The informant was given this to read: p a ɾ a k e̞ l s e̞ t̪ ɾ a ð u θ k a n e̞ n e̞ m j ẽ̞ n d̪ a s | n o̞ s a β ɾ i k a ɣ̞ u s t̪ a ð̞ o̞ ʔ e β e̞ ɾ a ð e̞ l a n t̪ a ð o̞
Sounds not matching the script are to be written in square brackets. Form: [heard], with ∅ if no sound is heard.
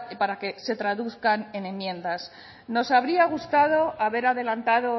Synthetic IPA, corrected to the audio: p a ɾ a k e̞ [∅] s e̞ t̪ ɾ a ð u θ k a n e̞ n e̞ m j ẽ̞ n d̪ a s | n o̞ s a β ɾ i [∅] a ɣ̞ u s t̪ a ð̞ o̞ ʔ [a] β e̞ ɾ a ð e̞ l a n t̪ a ð o̞